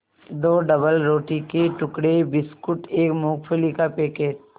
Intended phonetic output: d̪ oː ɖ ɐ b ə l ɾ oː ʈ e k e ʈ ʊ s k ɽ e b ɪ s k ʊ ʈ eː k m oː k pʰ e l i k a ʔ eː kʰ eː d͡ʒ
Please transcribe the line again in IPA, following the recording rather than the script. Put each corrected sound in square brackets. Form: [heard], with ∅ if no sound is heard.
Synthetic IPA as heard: d̪ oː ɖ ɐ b ə l ɾ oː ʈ [i] k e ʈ ʊ [∅] k ɽ e b ɪ s k ʊ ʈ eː k m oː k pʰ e l i k a [p] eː [k] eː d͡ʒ